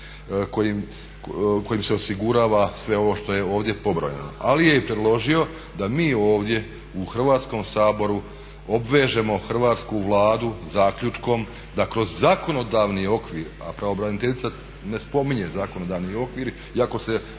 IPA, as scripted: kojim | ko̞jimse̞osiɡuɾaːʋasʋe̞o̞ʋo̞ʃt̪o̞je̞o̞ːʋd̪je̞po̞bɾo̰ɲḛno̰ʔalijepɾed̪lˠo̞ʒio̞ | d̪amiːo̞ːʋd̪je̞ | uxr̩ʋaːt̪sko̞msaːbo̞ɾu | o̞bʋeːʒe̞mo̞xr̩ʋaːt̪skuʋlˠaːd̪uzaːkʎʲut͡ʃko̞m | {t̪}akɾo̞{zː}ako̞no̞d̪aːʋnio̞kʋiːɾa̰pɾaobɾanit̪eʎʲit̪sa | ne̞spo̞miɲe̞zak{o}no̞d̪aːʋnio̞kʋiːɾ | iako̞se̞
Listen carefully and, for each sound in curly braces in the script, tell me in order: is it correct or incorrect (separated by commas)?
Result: incorrect, correct, correct